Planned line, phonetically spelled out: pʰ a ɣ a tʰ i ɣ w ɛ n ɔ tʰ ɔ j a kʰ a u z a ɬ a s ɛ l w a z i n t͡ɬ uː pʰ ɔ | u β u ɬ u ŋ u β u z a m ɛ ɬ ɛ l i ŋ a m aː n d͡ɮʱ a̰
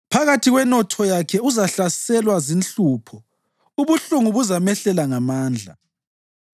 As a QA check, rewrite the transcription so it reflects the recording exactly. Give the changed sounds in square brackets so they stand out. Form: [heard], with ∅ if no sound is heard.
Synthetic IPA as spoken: pʰ a ɣ a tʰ i ɣ w ɛ n ɔ tʰ ɔ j a kʰ [ɛ] u z a ɬ a s ɛ l w a z i n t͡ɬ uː pʰ ɔ | u β u ɬ u ŋ u β u z a m ɛ ɬ ɛ l [a] ŋ a m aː n d͡ɮʱ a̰